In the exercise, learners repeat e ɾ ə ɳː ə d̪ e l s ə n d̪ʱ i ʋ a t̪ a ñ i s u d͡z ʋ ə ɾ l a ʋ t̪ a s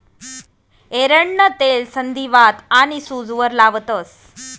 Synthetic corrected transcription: e ɾ ə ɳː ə t̪ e l s ə n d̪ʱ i ʋ a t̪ a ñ i s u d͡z ʋ ə ɾ l a ʋ t̪ ə s